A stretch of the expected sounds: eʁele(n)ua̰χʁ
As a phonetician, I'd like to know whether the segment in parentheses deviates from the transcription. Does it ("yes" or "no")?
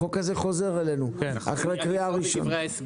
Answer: no